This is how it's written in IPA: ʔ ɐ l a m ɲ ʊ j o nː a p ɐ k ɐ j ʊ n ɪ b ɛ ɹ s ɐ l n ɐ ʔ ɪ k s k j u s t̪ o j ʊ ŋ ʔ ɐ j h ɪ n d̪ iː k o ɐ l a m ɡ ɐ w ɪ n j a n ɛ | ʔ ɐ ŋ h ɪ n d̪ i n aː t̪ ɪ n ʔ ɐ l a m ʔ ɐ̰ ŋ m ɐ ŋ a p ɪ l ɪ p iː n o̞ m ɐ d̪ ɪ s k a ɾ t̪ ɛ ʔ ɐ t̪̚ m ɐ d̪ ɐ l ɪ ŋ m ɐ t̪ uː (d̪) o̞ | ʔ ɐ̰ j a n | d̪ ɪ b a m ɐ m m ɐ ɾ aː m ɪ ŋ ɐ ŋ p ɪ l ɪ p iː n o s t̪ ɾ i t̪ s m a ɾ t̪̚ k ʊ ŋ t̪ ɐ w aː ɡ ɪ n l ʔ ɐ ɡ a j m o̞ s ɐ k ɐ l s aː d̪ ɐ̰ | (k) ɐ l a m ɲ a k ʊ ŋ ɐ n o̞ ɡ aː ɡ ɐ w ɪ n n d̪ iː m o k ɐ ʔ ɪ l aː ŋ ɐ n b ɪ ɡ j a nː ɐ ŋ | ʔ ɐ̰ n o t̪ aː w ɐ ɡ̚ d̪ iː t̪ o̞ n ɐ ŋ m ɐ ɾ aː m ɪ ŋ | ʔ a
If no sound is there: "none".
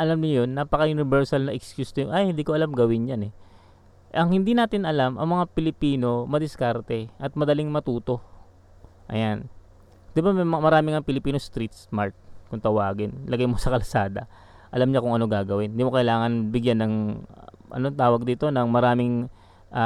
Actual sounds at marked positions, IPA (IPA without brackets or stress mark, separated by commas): t̪, ʔ